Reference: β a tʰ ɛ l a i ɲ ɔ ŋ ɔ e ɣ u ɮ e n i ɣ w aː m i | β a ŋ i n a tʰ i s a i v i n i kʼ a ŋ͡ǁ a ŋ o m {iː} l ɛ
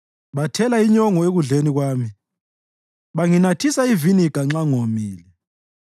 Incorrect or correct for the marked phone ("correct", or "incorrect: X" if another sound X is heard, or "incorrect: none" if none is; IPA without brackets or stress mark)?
correct